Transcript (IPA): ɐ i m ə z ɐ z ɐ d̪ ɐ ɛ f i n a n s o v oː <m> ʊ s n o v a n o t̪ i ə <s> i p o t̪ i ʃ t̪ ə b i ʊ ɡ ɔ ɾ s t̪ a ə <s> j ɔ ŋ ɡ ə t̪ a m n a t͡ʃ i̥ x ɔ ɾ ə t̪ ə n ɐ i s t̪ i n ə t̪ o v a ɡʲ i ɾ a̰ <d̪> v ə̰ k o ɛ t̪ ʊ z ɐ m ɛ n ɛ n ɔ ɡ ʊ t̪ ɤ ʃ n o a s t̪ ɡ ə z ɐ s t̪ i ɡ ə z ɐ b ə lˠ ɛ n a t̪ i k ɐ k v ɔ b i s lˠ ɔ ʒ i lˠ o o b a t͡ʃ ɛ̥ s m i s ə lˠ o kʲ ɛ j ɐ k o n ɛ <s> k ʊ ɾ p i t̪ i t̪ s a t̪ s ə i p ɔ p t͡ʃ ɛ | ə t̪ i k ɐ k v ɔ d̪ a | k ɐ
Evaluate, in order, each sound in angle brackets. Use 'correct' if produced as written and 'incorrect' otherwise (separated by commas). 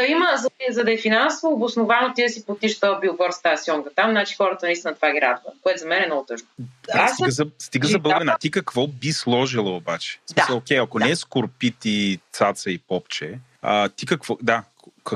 incorrect, correct, correct, correct, correct